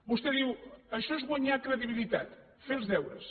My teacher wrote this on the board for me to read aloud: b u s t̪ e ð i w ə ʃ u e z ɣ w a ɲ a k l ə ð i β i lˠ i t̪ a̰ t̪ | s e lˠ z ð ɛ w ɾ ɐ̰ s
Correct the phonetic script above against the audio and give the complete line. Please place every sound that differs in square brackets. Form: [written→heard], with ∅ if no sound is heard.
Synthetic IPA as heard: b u s t̪ e ð i w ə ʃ [u→ɔ] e z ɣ w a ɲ a k [l→ɾ] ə ð i β i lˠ i t̪ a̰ t̪ | [s→f] e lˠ z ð ɛ w ɾ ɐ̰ s